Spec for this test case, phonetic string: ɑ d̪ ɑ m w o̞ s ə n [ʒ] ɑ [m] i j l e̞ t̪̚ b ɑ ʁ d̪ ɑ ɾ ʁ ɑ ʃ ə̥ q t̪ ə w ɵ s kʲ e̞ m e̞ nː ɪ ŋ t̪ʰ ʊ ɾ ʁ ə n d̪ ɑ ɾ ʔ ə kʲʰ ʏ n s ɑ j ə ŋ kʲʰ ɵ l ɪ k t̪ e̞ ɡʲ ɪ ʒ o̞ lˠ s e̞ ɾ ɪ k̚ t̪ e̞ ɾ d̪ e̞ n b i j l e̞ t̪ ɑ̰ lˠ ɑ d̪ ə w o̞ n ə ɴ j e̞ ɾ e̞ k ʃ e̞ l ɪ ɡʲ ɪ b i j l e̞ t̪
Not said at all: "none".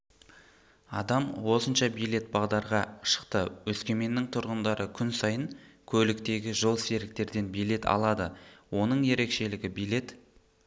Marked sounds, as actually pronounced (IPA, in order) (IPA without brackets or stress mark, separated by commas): ʃ, b